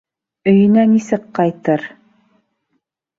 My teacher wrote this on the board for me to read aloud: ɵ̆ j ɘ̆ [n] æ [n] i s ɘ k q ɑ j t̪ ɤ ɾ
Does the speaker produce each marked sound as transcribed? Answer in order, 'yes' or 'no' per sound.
yes, yes

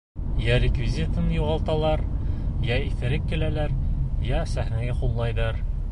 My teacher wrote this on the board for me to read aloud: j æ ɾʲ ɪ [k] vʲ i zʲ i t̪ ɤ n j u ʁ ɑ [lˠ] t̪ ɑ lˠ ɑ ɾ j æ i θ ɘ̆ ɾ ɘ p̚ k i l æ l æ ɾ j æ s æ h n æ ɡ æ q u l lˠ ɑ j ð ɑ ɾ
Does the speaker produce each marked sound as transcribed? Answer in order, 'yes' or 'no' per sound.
yes, yes

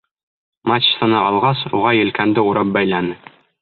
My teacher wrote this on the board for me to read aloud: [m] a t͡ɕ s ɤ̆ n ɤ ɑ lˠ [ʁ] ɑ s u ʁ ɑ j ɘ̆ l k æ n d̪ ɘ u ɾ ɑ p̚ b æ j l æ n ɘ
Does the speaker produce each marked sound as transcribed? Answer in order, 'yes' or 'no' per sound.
yes, yes

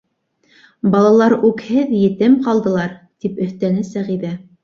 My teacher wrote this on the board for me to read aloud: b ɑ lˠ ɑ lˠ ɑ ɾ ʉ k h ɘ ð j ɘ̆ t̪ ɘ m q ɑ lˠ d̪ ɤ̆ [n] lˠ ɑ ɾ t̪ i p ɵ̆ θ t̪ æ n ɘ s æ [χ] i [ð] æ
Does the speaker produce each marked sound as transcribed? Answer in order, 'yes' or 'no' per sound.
no, no, yes

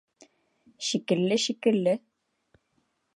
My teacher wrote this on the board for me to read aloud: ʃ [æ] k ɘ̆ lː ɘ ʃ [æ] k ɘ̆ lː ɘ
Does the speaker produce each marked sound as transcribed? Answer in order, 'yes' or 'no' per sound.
no, no

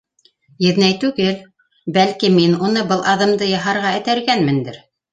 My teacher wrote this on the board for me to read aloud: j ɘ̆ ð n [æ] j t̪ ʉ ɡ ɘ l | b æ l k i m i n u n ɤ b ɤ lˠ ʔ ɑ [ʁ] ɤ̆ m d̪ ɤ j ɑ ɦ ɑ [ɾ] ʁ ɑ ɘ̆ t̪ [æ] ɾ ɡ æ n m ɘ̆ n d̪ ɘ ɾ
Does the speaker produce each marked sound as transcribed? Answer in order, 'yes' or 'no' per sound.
yes, no, yes, yes

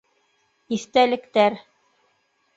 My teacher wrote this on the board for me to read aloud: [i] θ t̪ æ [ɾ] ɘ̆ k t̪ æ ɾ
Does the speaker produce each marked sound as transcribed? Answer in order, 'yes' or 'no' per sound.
yes, no

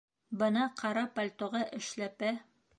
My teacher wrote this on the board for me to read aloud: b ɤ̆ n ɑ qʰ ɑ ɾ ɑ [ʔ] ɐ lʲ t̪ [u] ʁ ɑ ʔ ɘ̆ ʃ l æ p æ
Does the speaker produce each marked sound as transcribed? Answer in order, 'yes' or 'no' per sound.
no, no

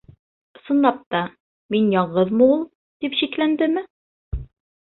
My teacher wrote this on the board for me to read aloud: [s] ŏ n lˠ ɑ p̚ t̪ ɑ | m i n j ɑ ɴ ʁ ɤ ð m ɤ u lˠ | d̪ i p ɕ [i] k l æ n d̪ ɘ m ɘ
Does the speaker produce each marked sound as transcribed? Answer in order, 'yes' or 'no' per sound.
yes, yes

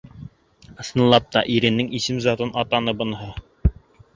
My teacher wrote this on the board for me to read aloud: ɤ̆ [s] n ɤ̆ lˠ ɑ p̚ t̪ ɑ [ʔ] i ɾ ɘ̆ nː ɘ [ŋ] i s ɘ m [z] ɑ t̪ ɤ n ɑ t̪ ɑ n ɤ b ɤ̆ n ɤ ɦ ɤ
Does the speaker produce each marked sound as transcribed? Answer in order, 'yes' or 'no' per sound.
yes, yes, yes, yes

